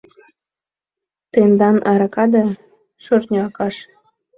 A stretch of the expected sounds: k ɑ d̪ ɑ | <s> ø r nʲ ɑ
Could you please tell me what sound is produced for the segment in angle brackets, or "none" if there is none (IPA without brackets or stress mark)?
ʃ